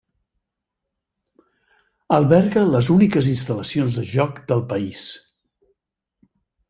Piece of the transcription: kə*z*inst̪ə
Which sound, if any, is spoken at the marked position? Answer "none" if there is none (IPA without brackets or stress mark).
z